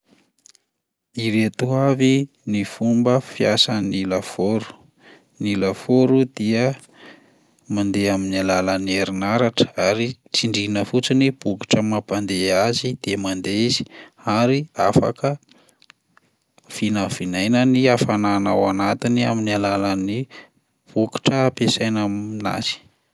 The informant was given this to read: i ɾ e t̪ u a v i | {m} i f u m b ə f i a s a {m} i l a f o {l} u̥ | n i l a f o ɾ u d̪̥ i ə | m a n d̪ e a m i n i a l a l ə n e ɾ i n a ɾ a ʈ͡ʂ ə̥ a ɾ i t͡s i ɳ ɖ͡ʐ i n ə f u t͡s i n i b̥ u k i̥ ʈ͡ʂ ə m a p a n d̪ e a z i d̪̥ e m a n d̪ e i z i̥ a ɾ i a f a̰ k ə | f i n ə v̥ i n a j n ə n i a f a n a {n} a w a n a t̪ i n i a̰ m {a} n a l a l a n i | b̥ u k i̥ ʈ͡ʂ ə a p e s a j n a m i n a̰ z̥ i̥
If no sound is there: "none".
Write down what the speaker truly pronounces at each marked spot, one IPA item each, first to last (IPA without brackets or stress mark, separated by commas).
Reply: n, n, ɾ, n, i